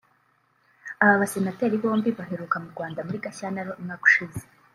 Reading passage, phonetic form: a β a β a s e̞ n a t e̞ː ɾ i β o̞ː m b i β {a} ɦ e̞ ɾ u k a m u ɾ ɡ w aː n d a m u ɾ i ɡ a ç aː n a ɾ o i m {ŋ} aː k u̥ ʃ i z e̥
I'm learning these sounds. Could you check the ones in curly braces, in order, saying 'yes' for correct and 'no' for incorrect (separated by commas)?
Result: yes, yes